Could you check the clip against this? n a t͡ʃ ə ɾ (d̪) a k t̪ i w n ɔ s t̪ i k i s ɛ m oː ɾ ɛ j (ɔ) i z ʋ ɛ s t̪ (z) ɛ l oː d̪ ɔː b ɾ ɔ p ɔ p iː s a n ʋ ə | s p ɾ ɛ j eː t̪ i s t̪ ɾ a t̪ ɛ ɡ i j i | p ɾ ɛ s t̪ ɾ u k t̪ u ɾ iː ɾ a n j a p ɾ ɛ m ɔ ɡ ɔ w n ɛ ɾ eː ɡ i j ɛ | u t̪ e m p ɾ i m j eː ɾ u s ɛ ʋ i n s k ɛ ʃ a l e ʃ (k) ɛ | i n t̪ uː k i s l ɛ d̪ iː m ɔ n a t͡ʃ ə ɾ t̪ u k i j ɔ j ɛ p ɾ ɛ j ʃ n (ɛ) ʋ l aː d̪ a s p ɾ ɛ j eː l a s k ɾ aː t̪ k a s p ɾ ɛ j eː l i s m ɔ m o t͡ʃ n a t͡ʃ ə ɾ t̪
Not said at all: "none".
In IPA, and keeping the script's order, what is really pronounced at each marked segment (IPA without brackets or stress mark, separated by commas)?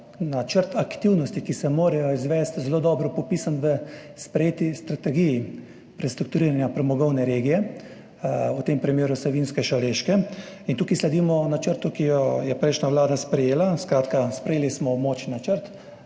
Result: t̪, ɔ, z, k, a